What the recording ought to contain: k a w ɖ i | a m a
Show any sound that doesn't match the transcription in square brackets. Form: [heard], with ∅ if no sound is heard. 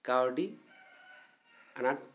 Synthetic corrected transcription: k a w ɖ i | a [n] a